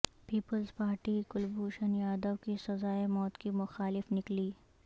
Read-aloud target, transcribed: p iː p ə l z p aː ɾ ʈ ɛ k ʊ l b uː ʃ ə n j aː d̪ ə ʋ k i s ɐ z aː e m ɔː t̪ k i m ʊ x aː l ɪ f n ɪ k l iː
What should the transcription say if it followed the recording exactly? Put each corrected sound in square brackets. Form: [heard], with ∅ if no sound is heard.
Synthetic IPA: p iː p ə l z p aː ɾ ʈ [i] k ʊ l b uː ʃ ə n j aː d̪ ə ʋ k i s ɐ z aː e m ɔː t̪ k i m ʊ x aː l ɪ f n ɪ k l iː